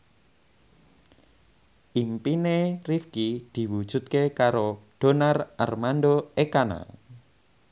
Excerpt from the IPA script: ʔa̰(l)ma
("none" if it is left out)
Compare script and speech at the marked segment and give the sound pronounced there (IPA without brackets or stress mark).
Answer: r